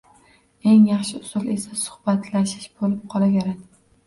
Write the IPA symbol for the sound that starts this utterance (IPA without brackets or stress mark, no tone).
e̞